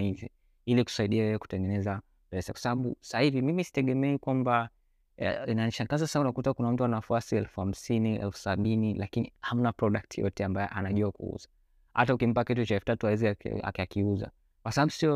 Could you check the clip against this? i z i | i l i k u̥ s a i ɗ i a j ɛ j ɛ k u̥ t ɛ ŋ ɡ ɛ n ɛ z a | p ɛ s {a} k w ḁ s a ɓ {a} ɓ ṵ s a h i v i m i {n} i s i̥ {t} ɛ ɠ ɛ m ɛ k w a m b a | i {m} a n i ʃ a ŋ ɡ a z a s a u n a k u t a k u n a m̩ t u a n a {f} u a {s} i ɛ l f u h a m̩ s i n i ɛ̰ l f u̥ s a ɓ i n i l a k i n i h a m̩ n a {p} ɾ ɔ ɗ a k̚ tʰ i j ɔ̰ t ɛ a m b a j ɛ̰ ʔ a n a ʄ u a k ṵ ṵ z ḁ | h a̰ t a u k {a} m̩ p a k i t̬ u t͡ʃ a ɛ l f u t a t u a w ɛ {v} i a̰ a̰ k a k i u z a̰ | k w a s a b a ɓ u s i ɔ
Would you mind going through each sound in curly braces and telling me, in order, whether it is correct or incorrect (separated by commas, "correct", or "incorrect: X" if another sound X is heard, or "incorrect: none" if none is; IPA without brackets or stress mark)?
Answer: correct, correct, incorrect: m, correct, incorrect: n, correct, correct, correct, incorrect: i, incorrect: z